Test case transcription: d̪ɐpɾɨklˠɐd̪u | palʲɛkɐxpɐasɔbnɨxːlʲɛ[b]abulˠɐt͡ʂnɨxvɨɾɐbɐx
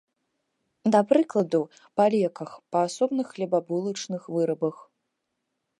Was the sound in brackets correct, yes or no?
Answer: yes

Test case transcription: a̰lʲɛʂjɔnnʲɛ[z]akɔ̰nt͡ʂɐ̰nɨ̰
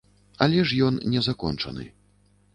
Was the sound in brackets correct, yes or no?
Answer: yes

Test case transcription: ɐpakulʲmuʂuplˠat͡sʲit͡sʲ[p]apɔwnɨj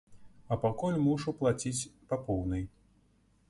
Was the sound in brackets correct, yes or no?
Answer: yes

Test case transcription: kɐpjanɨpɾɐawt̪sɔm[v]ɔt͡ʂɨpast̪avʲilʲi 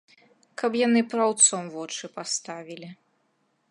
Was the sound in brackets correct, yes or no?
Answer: yes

